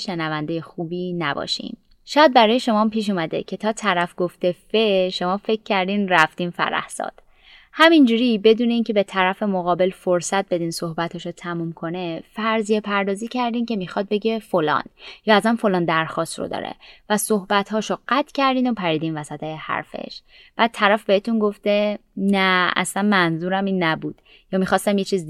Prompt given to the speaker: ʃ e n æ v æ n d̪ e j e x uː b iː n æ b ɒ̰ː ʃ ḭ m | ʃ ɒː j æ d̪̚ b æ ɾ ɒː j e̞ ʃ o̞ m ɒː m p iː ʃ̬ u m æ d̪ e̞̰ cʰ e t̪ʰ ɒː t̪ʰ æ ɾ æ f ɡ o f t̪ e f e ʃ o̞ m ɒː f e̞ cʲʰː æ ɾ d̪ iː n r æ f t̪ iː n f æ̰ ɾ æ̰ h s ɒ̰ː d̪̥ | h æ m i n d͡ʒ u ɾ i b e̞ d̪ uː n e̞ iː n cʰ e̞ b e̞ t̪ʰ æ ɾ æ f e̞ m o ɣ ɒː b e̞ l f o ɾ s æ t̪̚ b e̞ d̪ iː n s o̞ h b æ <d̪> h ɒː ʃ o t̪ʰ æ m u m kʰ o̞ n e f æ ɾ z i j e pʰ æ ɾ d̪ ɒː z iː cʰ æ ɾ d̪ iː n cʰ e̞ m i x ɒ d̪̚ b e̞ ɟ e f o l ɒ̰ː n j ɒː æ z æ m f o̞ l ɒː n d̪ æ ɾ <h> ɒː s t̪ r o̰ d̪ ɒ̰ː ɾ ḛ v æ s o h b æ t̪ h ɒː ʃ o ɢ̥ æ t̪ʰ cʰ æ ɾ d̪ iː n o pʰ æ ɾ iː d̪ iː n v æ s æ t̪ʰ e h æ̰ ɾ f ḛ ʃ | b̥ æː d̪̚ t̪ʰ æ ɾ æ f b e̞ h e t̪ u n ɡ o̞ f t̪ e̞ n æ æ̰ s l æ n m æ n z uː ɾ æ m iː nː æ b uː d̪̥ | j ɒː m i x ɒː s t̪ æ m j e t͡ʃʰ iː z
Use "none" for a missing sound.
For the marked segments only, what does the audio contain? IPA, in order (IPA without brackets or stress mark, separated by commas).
t̪, x